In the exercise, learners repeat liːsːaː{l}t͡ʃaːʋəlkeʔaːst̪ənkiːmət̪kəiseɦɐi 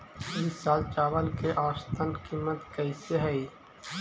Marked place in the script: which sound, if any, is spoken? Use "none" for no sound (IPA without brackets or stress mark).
l